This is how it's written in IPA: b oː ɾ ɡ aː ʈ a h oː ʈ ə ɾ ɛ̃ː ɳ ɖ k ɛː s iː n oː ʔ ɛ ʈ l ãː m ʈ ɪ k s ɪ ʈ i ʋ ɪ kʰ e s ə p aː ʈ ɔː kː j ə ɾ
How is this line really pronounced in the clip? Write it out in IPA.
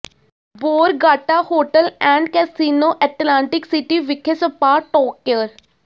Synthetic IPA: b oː ɾ ɡ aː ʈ a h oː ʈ ə l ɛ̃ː ɳ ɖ k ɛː s iː n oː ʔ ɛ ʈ l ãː ɳ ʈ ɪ k s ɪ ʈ i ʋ ɪ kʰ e s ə p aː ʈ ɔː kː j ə ɾ